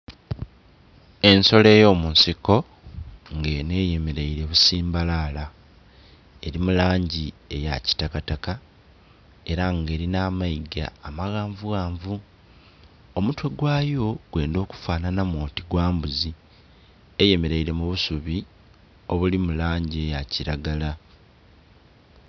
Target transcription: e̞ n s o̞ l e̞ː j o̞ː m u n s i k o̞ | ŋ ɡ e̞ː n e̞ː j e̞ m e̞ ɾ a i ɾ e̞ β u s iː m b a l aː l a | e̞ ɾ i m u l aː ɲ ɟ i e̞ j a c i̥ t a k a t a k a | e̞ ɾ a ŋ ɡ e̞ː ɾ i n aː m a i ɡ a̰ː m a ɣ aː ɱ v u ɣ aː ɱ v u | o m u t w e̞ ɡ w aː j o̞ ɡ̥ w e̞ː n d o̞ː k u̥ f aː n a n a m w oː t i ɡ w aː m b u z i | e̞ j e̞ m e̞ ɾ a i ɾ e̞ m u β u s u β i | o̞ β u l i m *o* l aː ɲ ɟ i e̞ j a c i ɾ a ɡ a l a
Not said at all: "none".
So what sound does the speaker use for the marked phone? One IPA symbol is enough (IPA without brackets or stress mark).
u